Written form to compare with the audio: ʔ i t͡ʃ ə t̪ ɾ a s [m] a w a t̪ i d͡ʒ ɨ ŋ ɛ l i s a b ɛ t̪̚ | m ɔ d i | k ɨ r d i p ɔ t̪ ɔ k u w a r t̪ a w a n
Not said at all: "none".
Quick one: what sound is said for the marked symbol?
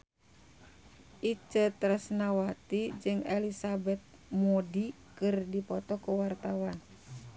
n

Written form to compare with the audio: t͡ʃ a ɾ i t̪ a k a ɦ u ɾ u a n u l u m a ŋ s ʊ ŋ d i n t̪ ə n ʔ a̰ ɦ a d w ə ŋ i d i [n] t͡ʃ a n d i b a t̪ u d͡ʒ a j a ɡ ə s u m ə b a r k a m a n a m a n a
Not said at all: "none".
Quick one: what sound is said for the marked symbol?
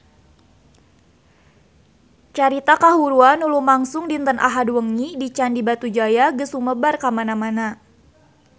none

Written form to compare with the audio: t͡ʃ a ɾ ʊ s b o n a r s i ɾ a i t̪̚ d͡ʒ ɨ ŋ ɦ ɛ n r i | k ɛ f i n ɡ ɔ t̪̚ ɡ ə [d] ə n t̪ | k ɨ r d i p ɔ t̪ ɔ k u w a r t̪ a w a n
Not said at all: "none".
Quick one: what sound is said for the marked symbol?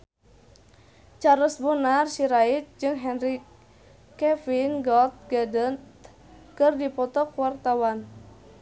d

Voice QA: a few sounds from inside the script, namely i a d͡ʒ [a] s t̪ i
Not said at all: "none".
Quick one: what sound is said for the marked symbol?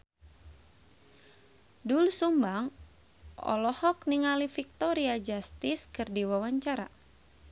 a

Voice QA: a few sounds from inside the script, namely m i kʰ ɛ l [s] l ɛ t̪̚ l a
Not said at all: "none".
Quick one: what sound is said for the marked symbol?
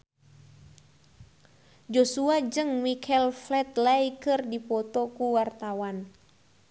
f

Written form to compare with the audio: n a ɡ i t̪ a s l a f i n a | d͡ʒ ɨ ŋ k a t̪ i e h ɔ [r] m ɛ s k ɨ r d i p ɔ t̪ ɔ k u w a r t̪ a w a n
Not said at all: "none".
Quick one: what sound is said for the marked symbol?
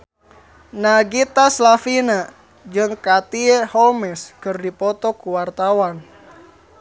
l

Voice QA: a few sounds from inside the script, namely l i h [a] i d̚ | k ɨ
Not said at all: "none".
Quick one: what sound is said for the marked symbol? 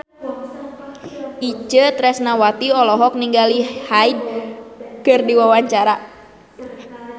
a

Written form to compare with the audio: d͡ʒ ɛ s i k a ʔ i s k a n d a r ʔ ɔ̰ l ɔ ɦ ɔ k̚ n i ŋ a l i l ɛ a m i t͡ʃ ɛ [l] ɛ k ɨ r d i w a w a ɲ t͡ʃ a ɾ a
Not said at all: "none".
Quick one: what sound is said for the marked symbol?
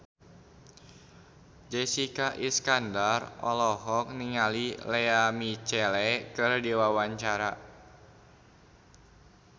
l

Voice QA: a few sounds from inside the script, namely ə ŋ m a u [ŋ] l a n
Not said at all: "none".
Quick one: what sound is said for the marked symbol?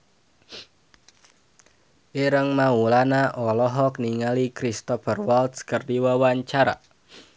none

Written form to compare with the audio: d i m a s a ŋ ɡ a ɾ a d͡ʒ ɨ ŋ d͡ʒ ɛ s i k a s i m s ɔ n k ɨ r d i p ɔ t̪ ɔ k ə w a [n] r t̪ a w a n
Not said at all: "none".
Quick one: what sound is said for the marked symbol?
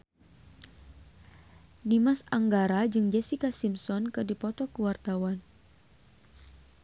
none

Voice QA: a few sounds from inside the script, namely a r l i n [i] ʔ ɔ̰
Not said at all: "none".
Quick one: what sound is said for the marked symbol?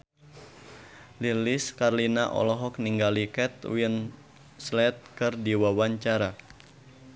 a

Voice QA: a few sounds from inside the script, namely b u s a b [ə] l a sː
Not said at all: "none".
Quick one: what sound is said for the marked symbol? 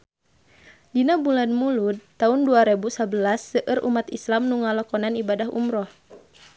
ə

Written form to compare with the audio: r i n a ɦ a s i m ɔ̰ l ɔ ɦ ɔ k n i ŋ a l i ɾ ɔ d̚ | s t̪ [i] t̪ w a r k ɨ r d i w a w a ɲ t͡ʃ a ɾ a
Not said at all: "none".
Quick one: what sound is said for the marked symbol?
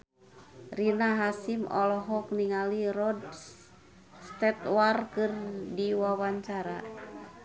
ɛ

